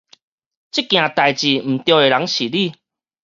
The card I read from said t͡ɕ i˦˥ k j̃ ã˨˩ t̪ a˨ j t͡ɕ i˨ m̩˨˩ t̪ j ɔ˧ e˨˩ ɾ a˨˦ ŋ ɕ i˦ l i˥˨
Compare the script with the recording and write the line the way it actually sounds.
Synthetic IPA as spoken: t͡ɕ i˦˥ k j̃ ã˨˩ t̪ a˨ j t͡ɕ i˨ m̩˨˩ t̪ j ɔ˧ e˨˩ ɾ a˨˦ ŋ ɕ i˨ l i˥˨